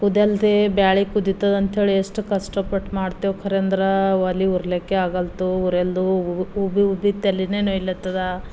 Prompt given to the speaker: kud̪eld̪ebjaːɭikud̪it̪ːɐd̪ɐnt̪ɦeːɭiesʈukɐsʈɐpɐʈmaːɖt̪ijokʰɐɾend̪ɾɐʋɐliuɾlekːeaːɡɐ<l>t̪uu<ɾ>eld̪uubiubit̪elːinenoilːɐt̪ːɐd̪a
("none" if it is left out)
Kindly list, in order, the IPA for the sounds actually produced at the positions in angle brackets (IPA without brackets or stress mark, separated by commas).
l, ɾ